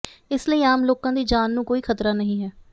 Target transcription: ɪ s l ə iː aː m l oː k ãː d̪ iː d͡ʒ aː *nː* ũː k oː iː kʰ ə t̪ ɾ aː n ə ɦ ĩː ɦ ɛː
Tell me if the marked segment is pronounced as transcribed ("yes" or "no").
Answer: yes